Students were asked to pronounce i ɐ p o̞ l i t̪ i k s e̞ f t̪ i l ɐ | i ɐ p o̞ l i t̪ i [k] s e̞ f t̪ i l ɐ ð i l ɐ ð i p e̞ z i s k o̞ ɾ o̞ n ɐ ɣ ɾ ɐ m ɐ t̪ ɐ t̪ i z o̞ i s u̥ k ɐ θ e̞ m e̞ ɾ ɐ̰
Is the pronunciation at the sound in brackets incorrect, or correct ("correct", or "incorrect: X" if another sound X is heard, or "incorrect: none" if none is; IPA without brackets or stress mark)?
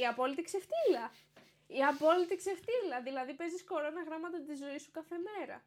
correct